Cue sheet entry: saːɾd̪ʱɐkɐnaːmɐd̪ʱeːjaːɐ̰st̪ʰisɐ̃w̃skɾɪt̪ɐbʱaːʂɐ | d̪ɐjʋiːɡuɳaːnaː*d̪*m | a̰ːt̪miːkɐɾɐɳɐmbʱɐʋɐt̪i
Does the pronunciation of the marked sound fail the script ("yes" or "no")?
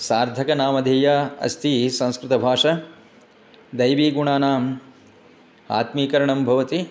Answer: yes